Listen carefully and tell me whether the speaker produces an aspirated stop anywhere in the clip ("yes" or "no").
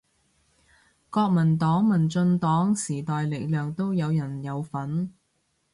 no